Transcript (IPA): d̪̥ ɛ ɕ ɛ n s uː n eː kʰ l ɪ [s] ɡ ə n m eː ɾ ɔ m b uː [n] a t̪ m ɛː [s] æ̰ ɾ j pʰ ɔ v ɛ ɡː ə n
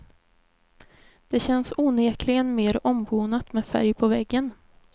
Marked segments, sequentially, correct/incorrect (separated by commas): incorrect, correct, incorrect